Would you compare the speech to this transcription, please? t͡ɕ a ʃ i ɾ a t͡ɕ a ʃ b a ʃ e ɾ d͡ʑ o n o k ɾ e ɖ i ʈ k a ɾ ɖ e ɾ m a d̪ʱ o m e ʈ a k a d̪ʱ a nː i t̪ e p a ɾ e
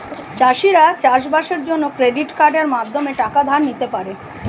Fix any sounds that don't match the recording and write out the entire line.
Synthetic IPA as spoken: t͡ɕ a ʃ i ɾ a t͡ɕ a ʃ b a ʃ e ɾ d͡ʑ o nː o k ɾ e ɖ i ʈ k a ɾ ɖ e ɾ m a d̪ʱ o m e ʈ a k a d̪ʱ a nː i t̪ e p a ɾ e